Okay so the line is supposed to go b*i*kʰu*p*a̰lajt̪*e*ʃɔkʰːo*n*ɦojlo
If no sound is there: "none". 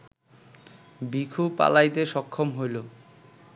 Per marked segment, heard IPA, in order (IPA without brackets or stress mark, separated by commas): i, p, e, m